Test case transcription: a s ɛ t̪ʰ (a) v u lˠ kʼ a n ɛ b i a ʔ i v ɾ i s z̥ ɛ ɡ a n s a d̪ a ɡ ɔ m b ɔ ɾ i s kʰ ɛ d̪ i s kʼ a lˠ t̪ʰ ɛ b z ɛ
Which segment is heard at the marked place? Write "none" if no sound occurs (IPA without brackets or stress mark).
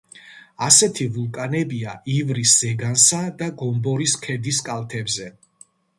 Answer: i